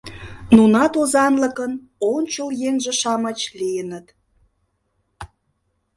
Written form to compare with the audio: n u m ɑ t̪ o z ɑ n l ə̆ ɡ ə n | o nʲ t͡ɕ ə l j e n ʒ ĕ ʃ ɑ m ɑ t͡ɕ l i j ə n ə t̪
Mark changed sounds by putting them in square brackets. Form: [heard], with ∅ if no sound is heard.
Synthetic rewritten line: n u [n] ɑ t̪ o z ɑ n l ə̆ [k] ə n | o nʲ t͡ɕ ə l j e [ŋ] ʒ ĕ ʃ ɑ m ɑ t͡ɕ l i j ə n ə t̪